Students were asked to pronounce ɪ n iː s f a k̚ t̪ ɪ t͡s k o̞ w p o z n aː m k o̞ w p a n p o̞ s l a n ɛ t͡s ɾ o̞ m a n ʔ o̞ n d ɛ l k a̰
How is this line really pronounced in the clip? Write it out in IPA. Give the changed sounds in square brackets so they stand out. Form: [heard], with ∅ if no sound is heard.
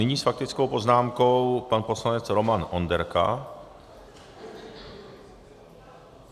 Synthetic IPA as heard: ɪ [ɲ] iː s f a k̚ t̪ ɪ t͡s k o̞ w p o z n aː m k o̞ w p a n p o̞ s l a n ɛ t͡s ɾ o̞ m a n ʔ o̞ n d ɛ [ɾ] k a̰